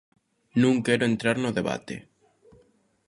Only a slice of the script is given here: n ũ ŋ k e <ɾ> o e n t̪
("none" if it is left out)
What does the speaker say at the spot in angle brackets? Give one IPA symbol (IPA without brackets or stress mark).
ɾ